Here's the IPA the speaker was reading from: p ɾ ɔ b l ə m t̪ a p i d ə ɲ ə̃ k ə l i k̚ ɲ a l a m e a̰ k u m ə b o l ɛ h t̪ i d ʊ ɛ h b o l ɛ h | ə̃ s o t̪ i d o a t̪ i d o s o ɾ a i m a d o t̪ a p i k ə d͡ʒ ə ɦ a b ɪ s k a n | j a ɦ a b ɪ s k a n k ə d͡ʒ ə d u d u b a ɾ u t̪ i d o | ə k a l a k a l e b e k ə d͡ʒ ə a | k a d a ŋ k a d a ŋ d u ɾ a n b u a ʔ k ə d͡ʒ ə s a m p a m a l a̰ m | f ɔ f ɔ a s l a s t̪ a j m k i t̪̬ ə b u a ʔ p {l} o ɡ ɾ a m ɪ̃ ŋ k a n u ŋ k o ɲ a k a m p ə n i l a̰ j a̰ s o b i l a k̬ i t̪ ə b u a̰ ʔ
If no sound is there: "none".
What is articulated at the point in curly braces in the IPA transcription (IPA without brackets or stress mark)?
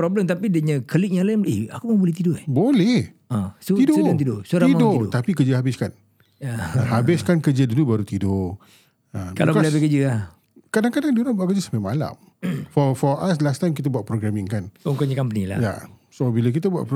ɾ